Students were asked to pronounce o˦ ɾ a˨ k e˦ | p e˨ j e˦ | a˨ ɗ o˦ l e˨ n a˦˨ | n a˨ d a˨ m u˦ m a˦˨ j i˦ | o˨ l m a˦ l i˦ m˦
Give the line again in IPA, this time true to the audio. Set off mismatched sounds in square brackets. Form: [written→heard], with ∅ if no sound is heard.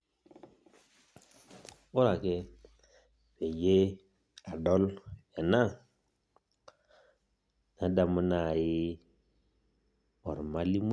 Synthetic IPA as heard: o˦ ɾ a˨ k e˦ | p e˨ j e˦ | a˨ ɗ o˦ l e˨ n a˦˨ | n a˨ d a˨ m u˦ [m→n] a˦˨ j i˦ | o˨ [l→ɾ] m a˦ l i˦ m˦

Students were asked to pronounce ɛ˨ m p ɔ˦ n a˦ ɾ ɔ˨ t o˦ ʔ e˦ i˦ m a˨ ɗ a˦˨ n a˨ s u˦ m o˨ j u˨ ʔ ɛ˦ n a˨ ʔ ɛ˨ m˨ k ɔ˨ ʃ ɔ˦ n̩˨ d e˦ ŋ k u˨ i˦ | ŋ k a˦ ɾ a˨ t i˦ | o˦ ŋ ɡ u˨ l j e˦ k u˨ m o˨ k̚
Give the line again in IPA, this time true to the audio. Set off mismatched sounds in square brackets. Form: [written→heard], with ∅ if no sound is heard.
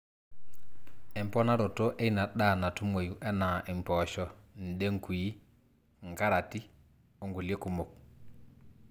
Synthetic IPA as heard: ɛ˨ m p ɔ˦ n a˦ ɾ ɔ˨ t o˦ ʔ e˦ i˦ [m→n] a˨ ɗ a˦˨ n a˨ [s→t] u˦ m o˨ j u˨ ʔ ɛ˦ n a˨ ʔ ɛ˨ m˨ [k→p] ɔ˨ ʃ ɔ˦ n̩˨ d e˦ ŋ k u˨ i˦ | ŋ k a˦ ɾ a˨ t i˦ | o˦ ŋ ɡ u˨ l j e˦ k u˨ m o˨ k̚

